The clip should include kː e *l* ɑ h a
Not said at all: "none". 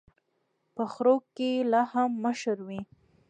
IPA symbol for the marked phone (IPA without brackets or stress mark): l